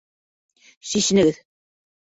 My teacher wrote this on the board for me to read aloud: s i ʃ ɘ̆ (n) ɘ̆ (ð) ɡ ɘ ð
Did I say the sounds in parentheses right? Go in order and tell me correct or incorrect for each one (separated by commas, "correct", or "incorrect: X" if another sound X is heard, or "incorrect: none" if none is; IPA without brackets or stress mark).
correct, incorrect: none